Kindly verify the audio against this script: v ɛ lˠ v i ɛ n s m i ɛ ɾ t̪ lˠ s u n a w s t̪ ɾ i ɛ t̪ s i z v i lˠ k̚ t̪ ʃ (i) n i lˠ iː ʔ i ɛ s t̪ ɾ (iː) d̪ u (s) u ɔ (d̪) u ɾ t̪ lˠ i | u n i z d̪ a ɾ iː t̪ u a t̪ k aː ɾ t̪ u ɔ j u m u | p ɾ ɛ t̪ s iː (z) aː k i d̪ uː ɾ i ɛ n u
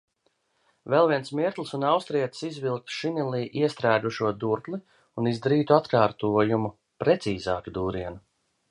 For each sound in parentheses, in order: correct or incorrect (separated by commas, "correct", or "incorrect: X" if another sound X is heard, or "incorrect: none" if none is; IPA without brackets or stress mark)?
correct, incorrect: æː, incorrect: ʃ, correct, correct